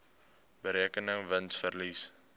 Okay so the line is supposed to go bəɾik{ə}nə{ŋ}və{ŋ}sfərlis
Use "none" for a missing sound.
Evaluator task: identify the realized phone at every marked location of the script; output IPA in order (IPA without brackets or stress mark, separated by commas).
ə, ŋ, n